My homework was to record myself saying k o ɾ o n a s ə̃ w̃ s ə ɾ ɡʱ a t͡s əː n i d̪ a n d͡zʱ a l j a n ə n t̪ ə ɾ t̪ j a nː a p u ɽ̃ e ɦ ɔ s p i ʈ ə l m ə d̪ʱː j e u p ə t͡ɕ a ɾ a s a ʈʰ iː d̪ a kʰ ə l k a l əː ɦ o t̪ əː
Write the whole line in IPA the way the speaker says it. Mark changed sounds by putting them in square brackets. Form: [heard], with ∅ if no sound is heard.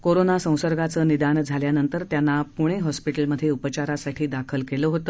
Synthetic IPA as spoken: k o ɾ o n a s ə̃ w̃ s ə ɾ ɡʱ a t͡s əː n i d̪ a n d͡zʱ a l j a n ə n t̪ ə ɾ t̪ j a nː a p u ɽ̃ e ɦ ɔ s p i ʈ ə l m ə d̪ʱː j e u p ə t͡ɕ a ɾ a s a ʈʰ iː d̪ a kʰ ə l k [e] l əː ɦ o t̪ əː